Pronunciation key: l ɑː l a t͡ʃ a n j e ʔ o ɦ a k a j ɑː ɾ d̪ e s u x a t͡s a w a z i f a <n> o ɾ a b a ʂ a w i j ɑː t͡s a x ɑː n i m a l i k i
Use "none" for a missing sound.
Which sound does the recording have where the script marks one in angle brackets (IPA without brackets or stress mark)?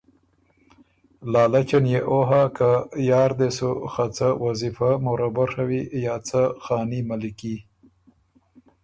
m